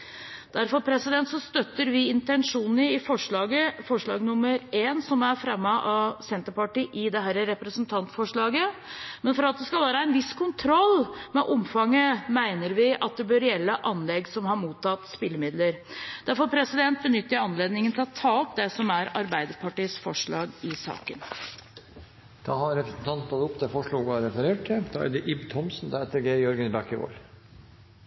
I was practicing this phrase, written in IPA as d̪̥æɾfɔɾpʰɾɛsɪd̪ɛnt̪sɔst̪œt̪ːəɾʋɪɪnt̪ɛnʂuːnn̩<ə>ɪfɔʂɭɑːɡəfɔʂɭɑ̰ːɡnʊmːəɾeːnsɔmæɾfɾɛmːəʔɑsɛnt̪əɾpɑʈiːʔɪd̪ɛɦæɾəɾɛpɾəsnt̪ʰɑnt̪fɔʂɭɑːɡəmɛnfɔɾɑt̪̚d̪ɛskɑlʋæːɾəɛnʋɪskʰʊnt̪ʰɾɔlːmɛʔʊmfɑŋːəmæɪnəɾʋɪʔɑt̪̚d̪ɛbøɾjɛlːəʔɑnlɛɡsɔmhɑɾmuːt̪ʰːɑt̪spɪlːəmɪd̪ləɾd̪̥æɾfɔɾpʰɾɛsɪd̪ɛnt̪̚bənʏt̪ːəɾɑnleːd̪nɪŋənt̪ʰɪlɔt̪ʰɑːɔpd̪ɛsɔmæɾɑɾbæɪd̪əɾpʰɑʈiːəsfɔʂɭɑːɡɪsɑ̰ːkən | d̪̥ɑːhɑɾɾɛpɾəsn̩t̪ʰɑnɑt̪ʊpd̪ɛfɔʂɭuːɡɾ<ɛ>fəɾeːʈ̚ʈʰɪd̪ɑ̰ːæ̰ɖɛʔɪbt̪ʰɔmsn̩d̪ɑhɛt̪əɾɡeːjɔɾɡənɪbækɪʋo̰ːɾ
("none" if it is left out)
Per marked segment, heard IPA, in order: ə, ɛ

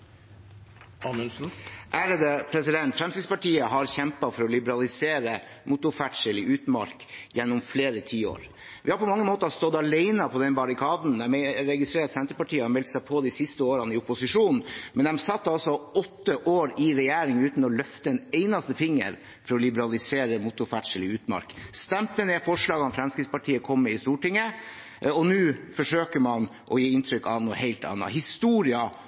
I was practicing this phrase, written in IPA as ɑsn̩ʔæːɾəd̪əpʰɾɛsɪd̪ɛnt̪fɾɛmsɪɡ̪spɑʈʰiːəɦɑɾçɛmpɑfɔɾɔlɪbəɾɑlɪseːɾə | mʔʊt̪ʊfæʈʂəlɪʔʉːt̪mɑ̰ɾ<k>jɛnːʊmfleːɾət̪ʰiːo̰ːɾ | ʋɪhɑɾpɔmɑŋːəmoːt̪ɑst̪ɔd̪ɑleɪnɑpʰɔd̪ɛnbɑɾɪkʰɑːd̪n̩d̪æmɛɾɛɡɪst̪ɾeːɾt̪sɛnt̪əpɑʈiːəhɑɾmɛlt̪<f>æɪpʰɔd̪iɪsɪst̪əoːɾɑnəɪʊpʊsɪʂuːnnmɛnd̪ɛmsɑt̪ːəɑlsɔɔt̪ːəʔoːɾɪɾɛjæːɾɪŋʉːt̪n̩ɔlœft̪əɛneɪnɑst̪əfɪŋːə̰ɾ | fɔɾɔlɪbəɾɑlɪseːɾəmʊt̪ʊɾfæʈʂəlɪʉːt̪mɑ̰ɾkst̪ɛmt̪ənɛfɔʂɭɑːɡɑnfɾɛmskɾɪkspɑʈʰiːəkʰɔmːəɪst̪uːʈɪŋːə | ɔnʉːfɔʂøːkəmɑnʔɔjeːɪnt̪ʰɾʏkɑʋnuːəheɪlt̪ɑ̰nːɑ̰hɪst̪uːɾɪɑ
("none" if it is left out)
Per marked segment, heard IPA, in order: k, s

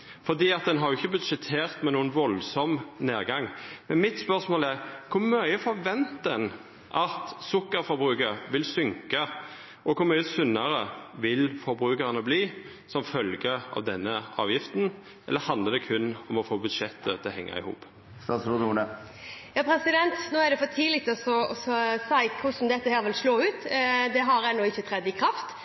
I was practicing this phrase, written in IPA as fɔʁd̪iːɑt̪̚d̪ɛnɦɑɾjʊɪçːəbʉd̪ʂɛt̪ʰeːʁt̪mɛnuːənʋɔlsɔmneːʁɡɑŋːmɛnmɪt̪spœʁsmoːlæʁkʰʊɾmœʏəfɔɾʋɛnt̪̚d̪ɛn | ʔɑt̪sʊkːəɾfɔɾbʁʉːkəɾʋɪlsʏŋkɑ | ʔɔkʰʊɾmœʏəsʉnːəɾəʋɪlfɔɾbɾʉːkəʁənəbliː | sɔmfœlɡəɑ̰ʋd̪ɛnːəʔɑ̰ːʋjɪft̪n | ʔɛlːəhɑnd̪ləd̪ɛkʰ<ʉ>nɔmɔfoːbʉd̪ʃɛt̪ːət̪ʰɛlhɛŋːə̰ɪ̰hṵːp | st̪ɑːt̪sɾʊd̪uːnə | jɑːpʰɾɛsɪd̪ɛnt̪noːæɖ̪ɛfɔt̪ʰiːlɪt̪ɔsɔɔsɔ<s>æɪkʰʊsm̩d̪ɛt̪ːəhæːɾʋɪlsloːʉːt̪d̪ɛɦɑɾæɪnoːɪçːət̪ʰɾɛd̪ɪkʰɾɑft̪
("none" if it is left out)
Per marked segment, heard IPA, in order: ʉ, s

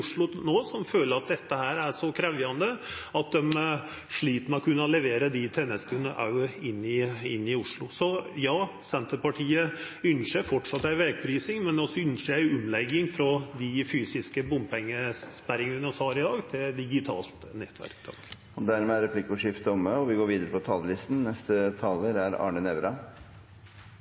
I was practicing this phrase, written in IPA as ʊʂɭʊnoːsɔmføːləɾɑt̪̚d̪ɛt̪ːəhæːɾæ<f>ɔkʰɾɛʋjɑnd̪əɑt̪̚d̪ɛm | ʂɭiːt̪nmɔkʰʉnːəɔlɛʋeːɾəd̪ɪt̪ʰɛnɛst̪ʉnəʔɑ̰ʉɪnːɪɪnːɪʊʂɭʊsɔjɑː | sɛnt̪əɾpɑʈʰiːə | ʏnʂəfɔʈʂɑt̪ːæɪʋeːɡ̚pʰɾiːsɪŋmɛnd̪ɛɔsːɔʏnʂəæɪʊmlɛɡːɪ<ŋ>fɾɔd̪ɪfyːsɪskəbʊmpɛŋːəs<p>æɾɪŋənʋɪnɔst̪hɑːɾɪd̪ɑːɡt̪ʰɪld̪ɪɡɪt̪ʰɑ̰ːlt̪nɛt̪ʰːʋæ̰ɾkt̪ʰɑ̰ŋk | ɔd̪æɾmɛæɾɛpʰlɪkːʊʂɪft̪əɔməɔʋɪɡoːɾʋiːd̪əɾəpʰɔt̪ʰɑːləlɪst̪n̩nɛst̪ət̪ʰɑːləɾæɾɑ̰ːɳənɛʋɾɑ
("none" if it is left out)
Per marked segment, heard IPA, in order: ʂ, ŋ, p

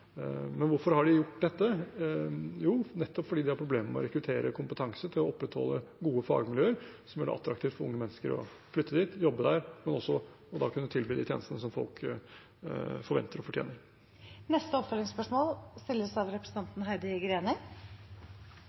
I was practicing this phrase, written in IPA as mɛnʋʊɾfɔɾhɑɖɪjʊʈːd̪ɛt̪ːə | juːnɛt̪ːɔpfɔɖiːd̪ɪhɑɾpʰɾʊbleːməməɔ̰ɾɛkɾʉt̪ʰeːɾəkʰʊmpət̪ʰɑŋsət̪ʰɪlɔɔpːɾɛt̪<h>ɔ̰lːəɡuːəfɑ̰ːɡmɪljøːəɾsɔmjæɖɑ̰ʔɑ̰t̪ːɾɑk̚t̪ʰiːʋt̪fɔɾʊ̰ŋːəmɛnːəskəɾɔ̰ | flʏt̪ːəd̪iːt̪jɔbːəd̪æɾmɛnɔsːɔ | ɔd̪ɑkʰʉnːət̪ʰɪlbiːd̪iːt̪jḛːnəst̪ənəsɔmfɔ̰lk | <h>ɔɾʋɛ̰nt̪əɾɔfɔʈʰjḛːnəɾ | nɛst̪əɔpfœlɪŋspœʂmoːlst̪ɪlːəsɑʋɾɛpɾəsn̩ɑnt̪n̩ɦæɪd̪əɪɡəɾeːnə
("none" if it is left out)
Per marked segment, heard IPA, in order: h, f

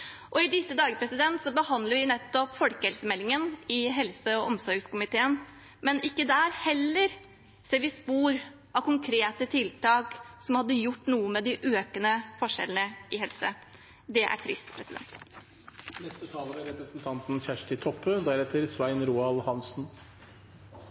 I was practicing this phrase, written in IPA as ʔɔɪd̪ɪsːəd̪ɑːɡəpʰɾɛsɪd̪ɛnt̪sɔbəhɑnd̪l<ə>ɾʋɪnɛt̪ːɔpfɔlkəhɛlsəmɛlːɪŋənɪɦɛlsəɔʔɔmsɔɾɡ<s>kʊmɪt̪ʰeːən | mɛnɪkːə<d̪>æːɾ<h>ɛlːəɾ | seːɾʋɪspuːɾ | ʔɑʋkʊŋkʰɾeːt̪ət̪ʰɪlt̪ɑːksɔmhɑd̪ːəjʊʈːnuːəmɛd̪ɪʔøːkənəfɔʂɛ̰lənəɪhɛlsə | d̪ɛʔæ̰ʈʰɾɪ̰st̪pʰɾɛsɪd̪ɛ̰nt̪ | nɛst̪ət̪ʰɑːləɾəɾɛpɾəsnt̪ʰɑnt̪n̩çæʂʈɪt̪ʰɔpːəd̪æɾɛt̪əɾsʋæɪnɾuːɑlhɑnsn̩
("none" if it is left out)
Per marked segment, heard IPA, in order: ə, s, d̪, h

